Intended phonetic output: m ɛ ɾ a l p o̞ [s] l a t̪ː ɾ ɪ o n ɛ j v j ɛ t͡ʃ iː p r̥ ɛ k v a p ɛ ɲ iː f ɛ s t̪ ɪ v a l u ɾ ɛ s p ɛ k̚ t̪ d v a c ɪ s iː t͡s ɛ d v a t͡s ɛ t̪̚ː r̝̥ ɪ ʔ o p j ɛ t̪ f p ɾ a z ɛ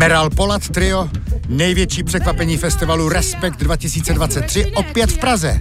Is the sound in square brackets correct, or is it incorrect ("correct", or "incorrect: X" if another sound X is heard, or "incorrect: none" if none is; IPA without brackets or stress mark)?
incorrect: none